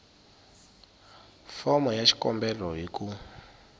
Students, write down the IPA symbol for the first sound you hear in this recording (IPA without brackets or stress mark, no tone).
f